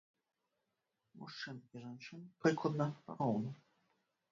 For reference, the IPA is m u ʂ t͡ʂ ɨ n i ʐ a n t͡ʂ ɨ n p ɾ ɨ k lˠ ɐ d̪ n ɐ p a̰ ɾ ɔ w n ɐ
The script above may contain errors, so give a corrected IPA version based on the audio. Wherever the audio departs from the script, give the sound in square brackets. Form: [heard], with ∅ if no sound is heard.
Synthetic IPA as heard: m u ʂ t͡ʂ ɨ n i ʐ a n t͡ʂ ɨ n p ɾ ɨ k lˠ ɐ d̪ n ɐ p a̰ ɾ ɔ w n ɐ

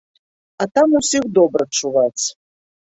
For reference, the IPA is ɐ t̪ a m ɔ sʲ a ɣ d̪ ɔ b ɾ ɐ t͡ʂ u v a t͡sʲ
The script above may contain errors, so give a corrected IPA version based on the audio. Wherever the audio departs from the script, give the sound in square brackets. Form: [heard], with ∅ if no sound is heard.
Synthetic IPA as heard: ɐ t̪ a m [u] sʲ [i] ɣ d̪ ɔ b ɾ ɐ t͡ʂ u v a t͡sʲ

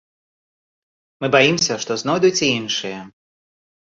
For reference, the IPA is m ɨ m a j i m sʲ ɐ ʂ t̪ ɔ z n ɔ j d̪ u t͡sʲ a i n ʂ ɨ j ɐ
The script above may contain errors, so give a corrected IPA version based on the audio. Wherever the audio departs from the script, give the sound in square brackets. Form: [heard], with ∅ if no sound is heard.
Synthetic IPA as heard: m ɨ [b] a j i m sʲ ɐ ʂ t̪ ɔ z n ɔ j d̪ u t͡sʲ [i] i n ʂ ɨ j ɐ

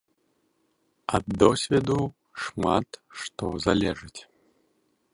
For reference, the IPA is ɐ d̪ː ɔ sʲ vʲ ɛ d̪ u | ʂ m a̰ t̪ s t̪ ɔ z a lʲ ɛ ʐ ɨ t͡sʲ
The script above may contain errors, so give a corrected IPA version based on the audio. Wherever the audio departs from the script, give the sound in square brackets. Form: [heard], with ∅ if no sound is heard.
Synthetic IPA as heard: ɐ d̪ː ɔ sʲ vʲ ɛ d̪ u | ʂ m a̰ t̪ [ʂ] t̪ ɔ z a lʲ ɛ ʐ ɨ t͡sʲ

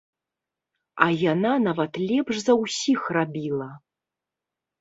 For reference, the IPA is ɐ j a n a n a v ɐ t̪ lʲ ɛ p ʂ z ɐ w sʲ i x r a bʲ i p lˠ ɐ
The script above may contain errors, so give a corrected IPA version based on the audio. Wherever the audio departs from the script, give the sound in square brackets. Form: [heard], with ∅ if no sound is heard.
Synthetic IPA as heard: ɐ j a n a n a v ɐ t̪ lʲ ɛ p ʂ z ɐ w sʲ i x r a bʲ i [∅] lˠ ɐ

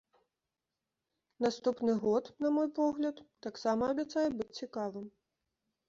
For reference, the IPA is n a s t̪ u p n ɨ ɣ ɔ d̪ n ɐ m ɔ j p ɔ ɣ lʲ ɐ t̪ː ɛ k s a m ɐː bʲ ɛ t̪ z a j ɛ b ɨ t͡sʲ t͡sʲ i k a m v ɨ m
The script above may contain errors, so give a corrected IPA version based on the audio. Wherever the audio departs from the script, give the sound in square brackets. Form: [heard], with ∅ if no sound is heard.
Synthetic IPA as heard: n a s t̪ u p n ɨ ɣ ɔ [t̪] n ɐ m ɔ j p ɔ ɣ lʲ ɐ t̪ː [a] k s a m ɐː bʲ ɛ t̪ [s] a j ɛ b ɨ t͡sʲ t͡sʲ i k a [∅] v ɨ m

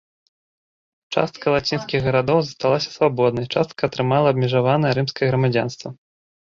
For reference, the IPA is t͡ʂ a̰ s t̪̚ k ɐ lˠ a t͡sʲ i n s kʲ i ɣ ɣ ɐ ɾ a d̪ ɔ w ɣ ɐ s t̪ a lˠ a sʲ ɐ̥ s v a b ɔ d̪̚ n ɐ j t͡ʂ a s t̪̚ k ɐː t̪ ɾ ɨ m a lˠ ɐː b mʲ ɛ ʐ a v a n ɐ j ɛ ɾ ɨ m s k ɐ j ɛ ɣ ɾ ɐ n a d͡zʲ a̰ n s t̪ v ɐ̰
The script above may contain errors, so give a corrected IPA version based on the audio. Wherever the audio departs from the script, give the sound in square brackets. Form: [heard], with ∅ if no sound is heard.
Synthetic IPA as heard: t͡ʂ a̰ s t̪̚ k ɐ lˠ a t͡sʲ i n s kʲ i ɣ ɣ ɐ ɾ a d̪ ɔ w [z] ɐ s t̪ a lˠ a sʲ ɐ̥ s v a b ɔ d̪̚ n ɐ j t͡ʂ a s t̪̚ k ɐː t̪ ɾ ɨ m a lˠ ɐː b mʲ ɛ ʐ a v a n ɐ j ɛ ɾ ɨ m s k ɐ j ɛ ɣ ɾ ɐ [m] a d͡zʲ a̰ n s t̪ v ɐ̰

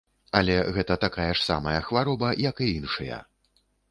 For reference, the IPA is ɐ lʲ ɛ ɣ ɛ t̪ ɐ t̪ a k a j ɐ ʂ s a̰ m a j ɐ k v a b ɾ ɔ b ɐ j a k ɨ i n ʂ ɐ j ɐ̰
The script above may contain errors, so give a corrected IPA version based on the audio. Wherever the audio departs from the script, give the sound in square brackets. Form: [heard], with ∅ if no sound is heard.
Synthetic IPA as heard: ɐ lʲ ɛ ɣ ɛ t̪ ɐ t̪ a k a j ɐ ʂ s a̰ m [ɐ] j ɐ [x] v a [∅] ɾ ɔ b ɐ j [ɐ] k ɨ i n ʂ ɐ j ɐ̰

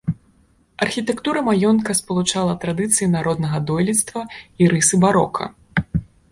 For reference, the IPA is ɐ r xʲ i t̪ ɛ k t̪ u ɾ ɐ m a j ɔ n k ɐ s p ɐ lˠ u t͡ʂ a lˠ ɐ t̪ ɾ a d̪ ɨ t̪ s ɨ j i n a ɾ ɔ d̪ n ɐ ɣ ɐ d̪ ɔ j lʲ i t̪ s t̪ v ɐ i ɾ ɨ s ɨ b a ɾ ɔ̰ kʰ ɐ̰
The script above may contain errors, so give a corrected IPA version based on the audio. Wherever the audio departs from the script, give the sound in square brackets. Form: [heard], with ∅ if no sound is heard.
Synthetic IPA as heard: ɐ r xʲ i t̪ ɛ k t̪ u ɾ ɐ m a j ɔ n k ɐ s p ɐ lˠ u t͡ʂ a lˠ ɐ t̪ ɾ a d̪ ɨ t̪ s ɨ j i n a ɾ ɔ d̪ n ɐ ɣ ɐ d̪ ɔ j lʲ i t̪ s t̪ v ɐ i ɾ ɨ s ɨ b a ɾ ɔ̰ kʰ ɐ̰

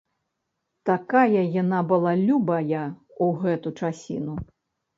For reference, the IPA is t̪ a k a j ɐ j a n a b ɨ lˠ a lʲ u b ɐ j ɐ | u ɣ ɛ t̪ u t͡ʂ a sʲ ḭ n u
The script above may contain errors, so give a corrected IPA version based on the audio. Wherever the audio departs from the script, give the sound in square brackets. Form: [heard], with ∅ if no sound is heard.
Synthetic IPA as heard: t̪ a k a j ɐ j a n a b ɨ lˠ a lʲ u b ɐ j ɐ | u ɣ ɛ t̪ u t͡ʂ a sʲ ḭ n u

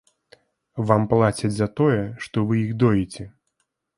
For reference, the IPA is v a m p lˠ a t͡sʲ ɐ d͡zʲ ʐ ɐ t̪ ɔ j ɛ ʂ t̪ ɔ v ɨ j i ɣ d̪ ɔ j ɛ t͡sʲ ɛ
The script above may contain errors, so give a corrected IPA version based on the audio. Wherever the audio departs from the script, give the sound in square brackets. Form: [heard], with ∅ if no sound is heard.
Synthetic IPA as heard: v a m p lˠ a t͡sʲ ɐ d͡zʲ [z] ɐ t̪ ɔ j ɛ ʂ t̪ ɔ v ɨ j i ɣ d̪ ɔ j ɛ t͡sʲ ɛ

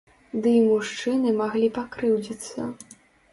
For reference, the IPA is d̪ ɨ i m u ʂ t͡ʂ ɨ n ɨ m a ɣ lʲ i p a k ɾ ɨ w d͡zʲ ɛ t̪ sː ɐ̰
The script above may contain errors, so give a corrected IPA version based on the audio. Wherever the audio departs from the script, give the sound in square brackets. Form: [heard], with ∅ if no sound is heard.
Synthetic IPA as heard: d̪ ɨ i m u ʂ t͡ʂ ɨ n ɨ m a ɣ lʲ i p a k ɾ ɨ w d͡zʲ [i] t̪ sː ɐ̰

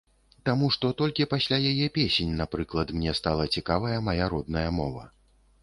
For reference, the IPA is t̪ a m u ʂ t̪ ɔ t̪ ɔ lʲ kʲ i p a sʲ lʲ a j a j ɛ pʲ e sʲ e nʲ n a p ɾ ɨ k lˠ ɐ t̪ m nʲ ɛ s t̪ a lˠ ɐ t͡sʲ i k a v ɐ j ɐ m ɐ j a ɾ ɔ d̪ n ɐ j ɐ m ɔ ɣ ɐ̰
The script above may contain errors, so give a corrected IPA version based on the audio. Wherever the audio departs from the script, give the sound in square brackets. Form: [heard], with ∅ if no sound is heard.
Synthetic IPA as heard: t̪ a m u ʂ t̪ ɔ t̪ ɔ lʲ kʲ i p a sʲ lʲ a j a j ɛ pʲ e sʲ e nʲ n a p ɾ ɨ k lˠ ɐ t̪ m nʲ ɛ s t̪ a lˠ ɐ t͡sʲ i k a v ɐ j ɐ m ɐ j a ɾ ɔ d̪ n ɐ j ɐ m ɔ [v] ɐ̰

